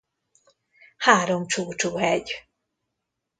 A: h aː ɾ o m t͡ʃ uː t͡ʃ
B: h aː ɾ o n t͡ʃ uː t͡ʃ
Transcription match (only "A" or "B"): A